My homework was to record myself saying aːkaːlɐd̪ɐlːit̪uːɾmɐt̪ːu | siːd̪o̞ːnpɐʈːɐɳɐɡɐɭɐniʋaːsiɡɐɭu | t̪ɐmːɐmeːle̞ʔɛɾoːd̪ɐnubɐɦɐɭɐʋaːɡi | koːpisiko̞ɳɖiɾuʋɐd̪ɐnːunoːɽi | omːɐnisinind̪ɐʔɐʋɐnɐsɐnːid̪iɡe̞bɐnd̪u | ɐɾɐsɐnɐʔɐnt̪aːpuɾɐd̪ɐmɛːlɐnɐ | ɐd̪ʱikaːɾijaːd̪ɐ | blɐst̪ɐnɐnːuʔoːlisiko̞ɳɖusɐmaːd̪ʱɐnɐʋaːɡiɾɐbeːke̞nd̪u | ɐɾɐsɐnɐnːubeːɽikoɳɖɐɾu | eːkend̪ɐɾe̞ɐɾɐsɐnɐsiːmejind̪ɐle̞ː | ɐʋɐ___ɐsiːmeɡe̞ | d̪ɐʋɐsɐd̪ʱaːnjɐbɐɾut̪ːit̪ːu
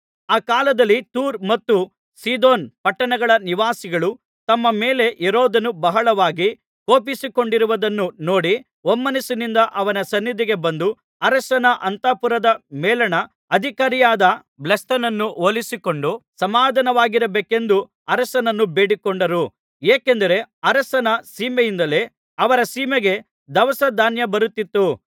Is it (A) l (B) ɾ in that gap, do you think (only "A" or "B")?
B